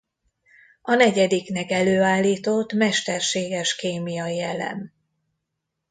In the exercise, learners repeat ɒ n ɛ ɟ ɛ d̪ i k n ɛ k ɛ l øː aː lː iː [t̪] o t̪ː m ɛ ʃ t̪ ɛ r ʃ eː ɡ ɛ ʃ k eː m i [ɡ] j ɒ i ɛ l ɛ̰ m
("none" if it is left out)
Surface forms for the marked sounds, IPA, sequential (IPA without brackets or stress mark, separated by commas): t̪, none